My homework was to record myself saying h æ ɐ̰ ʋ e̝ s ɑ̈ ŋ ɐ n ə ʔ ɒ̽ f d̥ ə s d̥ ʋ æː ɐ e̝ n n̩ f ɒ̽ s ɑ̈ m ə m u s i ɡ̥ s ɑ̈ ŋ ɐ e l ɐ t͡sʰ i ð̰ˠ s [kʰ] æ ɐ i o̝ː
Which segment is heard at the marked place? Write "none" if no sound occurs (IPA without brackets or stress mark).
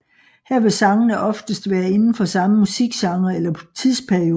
pʰ